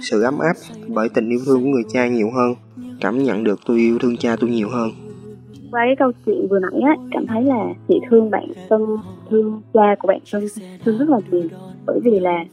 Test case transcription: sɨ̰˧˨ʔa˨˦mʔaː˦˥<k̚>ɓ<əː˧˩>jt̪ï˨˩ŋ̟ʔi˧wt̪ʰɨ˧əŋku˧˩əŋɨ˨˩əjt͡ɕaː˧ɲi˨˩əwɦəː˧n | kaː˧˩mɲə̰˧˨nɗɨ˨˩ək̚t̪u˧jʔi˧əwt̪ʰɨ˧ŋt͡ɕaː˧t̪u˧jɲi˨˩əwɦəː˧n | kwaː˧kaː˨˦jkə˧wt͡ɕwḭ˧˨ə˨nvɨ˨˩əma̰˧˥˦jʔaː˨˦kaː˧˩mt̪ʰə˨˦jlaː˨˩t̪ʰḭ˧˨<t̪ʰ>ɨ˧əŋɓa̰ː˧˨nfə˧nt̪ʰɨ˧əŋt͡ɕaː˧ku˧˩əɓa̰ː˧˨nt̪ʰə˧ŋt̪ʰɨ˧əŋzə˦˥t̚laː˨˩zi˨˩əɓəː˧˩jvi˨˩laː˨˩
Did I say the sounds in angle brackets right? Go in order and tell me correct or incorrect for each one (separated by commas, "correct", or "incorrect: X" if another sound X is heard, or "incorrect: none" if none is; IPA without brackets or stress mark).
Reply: incorrect: p̚, correct, correct